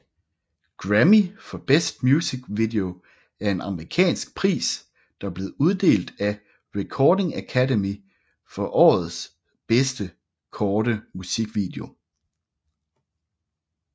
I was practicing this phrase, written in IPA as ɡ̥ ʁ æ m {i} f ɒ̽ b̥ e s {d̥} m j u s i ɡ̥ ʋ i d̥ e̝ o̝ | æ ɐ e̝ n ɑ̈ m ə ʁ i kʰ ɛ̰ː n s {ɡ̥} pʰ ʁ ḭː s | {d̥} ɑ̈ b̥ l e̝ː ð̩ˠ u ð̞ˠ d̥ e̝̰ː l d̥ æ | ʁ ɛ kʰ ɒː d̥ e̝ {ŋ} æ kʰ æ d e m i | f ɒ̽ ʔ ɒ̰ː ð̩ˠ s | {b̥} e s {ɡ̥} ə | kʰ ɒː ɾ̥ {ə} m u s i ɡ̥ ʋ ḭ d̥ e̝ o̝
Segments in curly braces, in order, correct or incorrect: correct, correct, correct, correct, correct, correct, incorrect: d̥, correct

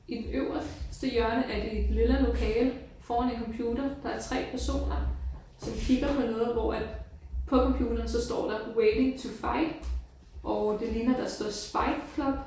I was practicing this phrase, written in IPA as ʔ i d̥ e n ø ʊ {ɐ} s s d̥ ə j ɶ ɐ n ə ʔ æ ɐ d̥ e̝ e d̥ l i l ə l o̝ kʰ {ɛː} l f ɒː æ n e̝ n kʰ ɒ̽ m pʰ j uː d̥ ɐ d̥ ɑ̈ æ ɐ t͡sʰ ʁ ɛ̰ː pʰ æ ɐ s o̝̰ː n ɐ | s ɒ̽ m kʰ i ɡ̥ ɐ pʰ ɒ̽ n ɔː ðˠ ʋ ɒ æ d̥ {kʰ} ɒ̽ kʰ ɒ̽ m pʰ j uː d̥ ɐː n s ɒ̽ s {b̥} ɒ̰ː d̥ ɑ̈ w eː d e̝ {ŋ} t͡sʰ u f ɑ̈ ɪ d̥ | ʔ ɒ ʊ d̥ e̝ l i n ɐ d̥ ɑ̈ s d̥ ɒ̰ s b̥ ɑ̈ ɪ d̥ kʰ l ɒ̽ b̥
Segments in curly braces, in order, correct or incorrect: correct, correct, incorrect: pʰ, incorrect: d̥, correct

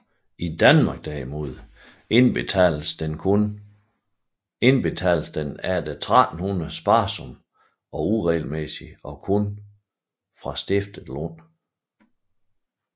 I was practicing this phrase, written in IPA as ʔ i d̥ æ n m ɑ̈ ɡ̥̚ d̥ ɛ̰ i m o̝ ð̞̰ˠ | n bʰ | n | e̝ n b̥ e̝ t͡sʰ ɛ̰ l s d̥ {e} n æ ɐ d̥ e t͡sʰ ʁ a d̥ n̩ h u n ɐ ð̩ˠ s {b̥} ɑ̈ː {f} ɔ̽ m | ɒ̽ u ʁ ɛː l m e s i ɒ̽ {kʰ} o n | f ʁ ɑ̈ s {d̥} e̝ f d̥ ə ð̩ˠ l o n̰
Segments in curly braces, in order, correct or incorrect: correct, correct, incorrect: s, correct, correct

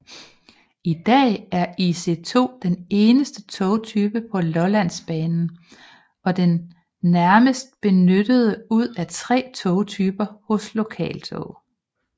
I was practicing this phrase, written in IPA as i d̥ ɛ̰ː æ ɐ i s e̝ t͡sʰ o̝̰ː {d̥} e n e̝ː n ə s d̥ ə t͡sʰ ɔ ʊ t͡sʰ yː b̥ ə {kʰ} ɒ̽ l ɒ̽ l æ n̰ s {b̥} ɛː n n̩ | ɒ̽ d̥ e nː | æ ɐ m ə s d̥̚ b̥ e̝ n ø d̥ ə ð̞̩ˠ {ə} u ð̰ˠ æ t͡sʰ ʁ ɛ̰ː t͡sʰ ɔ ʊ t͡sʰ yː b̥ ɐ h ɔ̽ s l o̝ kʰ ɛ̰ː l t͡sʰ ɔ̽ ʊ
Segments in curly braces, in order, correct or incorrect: correct, incorrect: pʰ, correct, correct

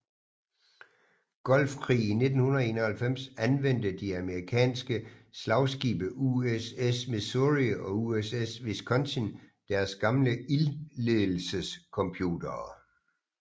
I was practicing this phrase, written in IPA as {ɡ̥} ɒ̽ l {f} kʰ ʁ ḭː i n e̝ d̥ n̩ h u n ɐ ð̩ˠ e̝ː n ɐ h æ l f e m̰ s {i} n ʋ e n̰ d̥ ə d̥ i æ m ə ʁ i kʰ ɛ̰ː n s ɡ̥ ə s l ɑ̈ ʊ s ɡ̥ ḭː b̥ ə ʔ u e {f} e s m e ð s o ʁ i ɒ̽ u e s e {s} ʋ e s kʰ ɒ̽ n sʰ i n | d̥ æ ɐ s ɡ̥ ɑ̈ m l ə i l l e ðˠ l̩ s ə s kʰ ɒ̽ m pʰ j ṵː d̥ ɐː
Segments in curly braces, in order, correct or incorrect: correct, correct, incorrect: æ, incorrect: s, correct

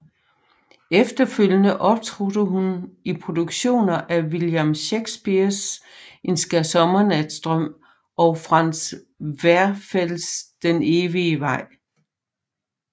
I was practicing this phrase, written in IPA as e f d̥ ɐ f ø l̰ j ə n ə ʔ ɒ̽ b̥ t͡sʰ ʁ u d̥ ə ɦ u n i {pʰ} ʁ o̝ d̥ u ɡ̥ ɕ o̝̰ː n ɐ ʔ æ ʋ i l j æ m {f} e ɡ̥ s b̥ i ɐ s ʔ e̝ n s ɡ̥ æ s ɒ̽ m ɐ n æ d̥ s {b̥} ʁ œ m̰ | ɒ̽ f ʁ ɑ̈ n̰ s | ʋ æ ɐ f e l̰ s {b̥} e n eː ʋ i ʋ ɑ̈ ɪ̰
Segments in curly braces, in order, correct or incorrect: correct, incorrect: ɕ, incorrect: d̥, incorrect: d̥

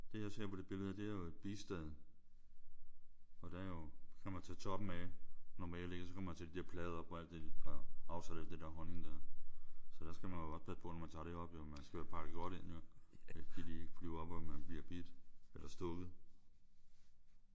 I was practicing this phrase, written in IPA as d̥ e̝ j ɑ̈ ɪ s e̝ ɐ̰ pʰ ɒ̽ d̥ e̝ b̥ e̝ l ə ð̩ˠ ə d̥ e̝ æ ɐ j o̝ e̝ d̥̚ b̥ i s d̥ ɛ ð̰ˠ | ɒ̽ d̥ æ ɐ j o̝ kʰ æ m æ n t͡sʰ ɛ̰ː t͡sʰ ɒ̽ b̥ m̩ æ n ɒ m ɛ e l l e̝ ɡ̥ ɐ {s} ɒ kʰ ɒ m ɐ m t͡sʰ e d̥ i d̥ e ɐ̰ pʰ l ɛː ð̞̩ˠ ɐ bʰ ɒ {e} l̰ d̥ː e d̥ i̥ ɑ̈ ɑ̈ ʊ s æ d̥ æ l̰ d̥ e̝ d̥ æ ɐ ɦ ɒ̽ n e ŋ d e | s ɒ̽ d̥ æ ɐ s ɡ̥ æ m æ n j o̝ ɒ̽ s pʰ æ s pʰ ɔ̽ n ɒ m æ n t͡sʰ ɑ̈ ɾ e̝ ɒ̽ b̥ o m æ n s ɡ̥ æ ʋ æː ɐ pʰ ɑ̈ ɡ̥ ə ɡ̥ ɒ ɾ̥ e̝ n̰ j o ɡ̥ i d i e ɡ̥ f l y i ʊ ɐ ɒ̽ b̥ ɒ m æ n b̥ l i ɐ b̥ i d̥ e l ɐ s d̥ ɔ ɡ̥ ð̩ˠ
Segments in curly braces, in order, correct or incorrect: correct, incorrect: æ

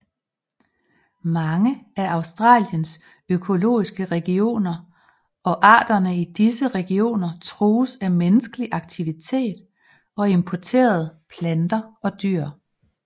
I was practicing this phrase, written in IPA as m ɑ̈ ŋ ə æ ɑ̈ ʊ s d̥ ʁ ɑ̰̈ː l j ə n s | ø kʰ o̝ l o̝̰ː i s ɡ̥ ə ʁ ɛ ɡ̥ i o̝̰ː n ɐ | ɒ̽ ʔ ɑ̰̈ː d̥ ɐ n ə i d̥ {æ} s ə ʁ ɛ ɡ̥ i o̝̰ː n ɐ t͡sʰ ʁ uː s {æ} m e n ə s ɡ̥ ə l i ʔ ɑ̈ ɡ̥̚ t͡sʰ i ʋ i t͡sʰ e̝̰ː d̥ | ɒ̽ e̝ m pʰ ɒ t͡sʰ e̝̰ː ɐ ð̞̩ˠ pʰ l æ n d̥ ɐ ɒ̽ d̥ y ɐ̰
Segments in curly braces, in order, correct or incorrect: incorrect: i, correct

